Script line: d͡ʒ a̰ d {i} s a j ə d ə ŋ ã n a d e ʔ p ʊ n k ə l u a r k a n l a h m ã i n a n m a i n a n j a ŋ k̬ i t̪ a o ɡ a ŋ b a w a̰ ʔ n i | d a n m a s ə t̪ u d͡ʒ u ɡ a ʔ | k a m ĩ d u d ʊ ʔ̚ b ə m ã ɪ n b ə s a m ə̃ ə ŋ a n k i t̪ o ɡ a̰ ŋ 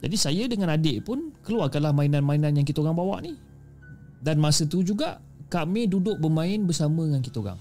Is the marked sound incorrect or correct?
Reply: correct